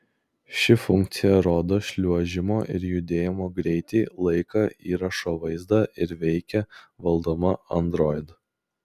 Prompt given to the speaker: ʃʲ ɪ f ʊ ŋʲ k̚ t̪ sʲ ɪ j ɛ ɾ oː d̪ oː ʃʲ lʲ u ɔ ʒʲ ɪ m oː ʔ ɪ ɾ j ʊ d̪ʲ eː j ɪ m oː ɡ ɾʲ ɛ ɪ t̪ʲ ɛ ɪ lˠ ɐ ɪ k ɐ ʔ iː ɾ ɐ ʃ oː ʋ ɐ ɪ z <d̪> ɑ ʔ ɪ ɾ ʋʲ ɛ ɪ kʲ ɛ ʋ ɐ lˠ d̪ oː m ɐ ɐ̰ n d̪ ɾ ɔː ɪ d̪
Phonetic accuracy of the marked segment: correct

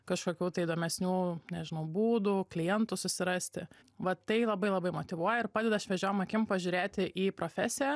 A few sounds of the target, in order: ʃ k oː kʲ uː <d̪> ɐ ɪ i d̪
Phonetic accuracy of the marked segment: incorrect: t̪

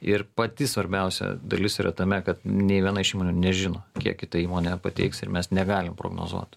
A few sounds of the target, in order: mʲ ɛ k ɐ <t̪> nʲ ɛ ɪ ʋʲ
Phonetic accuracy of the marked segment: correct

